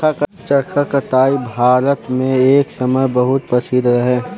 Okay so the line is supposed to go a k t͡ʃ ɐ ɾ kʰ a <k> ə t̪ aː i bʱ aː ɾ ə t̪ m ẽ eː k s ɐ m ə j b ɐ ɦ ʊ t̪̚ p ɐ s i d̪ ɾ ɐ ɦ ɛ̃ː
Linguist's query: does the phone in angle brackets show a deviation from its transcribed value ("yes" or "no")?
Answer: no